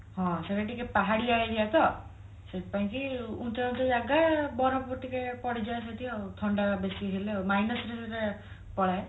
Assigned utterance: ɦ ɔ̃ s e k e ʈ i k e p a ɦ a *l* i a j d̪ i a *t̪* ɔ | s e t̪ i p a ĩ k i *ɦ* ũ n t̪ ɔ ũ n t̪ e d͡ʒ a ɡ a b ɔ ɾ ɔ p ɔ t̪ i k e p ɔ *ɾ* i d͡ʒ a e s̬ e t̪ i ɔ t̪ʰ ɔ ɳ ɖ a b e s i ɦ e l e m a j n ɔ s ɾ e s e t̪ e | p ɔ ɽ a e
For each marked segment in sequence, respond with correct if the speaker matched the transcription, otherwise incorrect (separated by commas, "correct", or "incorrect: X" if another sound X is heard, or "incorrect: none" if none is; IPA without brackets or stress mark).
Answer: incorrect: ɽ, correct, incorrect: none, incorrect: ɽ